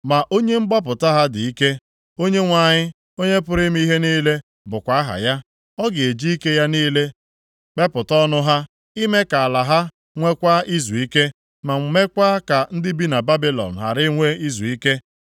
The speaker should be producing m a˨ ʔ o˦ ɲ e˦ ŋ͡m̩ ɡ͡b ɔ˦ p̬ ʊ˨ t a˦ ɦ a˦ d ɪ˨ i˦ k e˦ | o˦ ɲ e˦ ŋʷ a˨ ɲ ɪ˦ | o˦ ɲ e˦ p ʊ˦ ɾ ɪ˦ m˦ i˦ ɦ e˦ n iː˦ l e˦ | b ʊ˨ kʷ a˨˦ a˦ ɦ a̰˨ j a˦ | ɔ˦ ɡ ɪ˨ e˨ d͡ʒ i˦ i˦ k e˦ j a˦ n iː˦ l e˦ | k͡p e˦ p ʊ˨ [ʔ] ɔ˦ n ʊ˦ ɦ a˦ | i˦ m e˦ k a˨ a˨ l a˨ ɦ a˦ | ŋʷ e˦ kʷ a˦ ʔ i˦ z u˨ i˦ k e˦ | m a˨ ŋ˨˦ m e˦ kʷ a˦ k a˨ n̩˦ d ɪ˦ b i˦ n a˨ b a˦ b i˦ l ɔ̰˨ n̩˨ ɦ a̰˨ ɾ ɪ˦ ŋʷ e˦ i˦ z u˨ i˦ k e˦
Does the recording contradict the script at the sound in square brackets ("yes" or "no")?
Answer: yes